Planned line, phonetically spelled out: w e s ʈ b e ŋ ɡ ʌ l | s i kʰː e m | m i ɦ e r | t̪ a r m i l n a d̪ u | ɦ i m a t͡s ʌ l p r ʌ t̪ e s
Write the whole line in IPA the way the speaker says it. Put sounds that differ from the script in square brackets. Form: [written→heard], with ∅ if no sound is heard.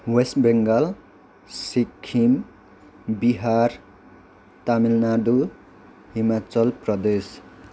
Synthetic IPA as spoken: w e s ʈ b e ŋ ɡ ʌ l | s i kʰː [e→i] m | [m→b] i ɦ [e→a] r | t̪ a [r→∅] m i l n a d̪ u | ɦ i m a t͡s ʌ l p r ʌ [t̪→d̪] e s

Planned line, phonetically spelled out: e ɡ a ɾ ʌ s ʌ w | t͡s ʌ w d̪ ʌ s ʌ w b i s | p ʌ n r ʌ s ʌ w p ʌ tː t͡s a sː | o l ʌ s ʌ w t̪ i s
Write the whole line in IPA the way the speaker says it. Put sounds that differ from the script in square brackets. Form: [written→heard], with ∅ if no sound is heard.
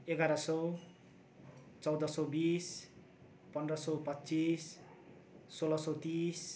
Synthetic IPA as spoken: e ɡ a ɾ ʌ s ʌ w | t͡s ʌ w d̪ ʌ s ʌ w b i s | p ʌ n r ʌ s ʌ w p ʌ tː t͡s [a→i] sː | o l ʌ s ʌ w t̪ i s

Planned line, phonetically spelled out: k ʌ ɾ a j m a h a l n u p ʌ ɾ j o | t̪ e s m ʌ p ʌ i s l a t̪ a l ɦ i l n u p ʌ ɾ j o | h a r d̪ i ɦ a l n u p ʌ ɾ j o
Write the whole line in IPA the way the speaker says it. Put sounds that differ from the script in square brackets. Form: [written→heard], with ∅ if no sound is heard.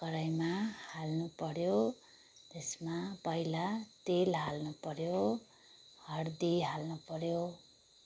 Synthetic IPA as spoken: k ʌ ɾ a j m a h a l n u p ʌ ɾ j o | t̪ e s m [ʌ→a] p ʌ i [s→∅] l a t̪ [a→e] l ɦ [i→a] l n u p ʌ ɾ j o | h [a→ʌ] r d̪ i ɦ a l n u p ʌ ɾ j o

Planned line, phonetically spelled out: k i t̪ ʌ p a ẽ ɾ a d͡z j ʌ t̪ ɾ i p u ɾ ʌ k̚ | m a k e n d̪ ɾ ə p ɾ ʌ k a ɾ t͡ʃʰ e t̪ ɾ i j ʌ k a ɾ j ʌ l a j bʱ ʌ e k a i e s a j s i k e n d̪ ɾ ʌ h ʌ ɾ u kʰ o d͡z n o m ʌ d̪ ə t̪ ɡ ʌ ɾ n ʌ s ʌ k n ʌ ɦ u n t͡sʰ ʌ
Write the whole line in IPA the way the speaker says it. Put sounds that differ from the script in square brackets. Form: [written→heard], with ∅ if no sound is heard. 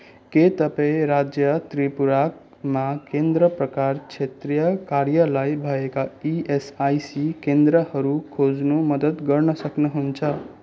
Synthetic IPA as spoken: k [i→e] t̪ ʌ p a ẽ ɾ a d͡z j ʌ t̪ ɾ i p u ɾ [ʌ→a] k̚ | m a k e n d̪ ɾ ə p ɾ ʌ k a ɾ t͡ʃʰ e t̪ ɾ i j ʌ k a ɾ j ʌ l a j bʱ ʌ e k a i e s a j s i k e n d̪ ɾ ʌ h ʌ ɾ u kʰ o d͡z n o m ʌ d̪ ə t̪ ɡ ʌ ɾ n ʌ s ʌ k n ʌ ɦ u n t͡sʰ ʌ

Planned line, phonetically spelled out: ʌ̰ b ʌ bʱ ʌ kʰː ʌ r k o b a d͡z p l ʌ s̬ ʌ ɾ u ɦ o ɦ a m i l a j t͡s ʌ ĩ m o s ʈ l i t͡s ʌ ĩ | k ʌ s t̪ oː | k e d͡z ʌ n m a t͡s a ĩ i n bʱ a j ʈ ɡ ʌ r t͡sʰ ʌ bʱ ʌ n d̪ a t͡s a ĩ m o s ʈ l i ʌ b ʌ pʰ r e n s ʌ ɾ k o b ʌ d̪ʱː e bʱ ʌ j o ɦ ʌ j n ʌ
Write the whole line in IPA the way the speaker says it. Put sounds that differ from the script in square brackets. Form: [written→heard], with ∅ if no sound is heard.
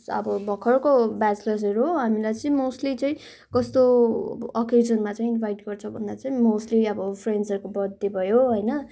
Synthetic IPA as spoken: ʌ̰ b ʌ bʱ ʌ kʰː ʌ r k o b a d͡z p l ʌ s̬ ʌ ɾ u ɦ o ɦ a m i l a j t͡s ʌ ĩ m o s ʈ l i t͡s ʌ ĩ | k ʌ s t̪ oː | k e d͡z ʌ n m a t͡s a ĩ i n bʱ a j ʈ ɡ ʌ r t͡sʰ ʌ bʱ ʌ n d̪ a t͡s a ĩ m o s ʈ l i ʌ b ʌ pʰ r e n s ʌ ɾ k o b ʌ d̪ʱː e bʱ ʌ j o ɦ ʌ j n ʌ

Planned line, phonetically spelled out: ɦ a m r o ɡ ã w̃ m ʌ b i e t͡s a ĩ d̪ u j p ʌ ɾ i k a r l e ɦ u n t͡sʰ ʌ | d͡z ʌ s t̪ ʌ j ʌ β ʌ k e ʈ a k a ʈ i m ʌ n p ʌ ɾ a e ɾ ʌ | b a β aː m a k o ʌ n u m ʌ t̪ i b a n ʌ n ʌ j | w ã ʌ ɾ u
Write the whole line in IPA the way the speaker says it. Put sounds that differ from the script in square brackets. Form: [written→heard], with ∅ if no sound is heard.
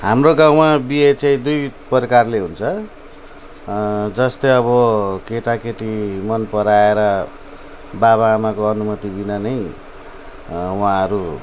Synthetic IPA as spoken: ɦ a m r o ɡ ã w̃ m [ʌ→a] b i e t͡s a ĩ d̪ u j p ʌ ɾ i k a r l e ɦ u n t͡sʰ ʌ | d͡z ʌ s t̪ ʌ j ʌ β ʌ k e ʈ a k [a→e] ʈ i m ʌ n p ʌ ɾ a e ɾ ʌ | b a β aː m a k o ʌ n u m ʌ t̪ i b [a→i] n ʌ n ʌ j | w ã ʌ ɾ u

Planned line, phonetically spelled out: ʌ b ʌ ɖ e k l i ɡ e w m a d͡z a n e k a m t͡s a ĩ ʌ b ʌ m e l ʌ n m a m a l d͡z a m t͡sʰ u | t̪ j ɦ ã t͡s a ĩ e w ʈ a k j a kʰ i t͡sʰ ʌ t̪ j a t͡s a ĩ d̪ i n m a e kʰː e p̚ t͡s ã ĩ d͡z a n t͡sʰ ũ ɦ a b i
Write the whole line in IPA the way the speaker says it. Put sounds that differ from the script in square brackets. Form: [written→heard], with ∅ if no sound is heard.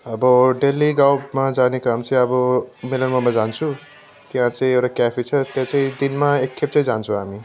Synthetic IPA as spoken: ʌ b ʌ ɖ e [k→∅] l i ɡ [e→a] w m a d͡z a n e k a m t͡s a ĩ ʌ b ʌ m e l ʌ n m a m a [l→∅] d͡z a [m→n] t͡sʰ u | t̪ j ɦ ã t͡s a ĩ e w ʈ a k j a [kʰ→pʰ] i t͡sʰ ʌ t̪ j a t͡s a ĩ d̪ i n m a e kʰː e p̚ t͡s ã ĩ d͡z a n t͡sʰ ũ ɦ a [b→m] i

